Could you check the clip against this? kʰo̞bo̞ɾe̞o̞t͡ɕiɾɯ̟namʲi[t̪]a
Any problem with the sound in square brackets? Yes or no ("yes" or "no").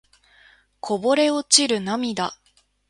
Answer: yes